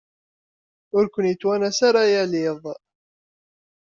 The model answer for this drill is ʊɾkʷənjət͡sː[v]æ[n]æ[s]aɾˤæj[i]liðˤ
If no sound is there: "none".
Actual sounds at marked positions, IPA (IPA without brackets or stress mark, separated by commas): w, n, s, æ